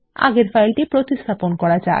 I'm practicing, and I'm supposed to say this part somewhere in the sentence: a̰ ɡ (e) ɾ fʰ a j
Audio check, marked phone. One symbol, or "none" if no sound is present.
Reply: e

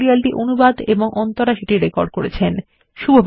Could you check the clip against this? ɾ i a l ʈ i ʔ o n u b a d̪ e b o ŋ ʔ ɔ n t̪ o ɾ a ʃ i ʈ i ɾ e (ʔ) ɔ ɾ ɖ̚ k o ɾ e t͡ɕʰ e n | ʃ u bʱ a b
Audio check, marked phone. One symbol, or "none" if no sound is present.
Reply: k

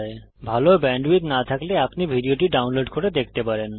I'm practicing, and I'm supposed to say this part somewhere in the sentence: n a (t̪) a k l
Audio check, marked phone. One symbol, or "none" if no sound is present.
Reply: t̪ʰ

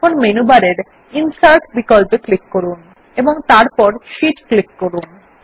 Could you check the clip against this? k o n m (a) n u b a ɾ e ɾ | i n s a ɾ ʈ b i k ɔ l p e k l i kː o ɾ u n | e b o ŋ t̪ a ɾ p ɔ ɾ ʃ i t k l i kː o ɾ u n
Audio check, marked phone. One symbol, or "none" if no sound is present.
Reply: e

